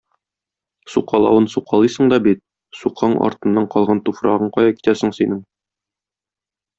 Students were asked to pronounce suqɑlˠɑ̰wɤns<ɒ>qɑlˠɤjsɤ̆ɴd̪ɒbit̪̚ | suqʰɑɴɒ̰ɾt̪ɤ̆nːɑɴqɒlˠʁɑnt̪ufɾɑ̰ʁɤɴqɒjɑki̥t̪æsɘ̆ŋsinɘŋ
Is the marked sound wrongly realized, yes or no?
yes